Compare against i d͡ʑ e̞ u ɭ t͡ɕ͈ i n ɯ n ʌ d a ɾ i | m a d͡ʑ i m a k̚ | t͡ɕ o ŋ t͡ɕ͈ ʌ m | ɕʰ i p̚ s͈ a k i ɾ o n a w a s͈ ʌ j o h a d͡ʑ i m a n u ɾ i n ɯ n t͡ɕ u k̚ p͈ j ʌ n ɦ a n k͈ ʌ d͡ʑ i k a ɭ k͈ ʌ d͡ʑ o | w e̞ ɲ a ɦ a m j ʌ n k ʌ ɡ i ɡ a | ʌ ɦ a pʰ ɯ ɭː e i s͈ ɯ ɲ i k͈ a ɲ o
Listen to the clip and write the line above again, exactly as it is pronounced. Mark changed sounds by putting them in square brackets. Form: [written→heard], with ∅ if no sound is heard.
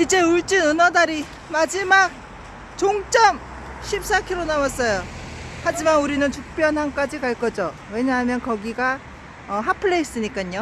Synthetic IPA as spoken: i d͡ʑ e̞ u ɭ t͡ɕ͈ i n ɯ n ʌ d a ɾ i | m a d͡ʑ i m a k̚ | t͡ɕ o ŋ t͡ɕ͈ ʌ m | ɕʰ i p̚ s͈ a [k→kʰ] i ɾ o n a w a s͈ ʌ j o h a d͡ʑ i m a n u ɾ i n ɯ n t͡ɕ u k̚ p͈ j ʌ n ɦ a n k͈ [ʌ→a] d͡ʑ i k a ɭ k͈ ʌ d͡ʑ o | w e̞ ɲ a ɦ a m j ʌ n k ʌ ɡ i ɡ a | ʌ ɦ a pʰ ɯ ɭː e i s͈ ɯ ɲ i k͈ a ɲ o